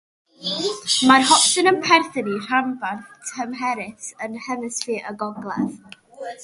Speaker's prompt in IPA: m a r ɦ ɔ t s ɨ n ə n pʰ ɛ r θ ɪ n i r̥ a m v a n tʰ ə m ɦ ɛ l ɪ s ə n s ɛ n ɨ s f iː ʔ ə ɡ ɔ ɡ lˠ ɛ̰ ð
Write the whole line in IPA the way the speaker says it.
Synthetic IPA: m a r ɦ ɔ p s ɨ n ə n pʰ ɛ r θ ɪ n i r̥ a m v a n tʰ ə m ɦ ɛ ɾ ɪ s ə n h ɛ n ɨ s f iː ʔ ə ɡ ɔ ɡ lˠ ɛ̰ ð